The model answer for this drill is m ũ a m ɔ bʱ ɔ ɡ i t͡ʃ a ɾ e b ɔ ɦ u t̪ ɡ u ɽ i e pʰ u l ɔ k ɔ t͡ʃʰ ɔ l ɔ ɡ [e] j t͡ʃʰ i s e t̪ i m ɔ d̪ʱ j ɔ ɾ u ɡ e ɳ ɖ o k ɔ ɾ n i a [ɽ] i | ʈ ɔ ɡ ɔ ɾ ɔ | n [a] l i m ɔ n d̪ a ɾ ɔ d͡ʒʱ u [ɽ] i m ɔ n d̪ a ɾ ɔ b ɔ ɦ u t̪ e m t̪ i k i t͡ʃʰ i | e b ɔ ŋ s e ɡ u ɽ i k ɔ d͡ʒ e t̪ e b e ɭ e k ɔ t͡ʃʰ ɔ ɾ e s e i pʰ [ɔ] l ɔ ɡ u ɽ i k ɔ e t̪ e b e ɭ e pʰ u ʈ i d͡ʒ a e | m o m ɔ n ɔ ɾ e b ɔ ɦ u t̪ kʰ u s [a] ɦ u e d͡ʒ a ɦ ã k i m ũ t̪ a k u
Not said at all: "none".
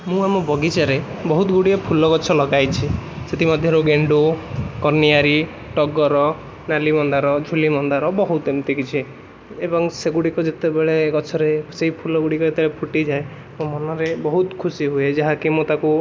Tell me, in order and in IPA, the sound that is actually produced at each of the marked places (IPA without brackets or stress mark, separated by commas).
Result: a, ɾ, a, l, u, i